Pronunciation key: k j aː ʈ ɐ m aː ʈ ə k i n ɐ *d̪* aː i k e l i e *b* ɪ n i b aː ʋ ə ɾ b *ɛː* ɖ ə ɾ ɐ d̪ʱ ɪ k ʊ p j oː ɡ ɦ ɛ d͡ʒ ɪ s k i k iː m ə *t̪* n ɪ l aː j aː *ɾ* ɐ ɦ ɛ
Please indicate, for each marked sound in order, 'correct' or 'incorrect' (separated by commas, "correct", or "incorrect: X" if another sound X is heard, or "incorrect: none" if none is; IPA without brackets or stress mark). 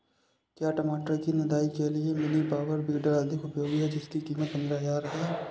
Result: correct, incorrect: m, incorrect: iː, correct, correct